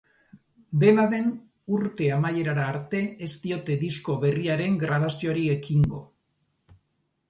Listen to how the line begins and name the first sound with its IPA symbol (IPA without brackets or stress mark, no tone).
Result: d̪